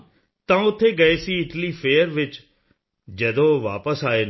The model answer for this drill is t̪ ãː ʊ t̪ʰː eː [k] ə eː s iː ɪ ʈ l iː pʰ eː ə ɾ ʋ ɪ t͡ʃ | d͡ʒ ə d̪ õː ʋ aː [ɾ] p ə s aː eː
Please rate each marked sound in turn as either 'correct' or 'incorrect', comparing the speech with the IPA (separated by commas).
incorrect, incorrect